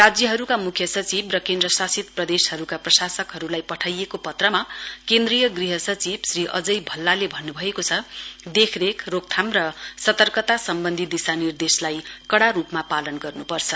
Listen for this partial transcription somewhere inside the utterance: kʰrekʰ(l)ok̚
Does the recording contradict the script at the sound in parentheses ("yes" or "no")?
yes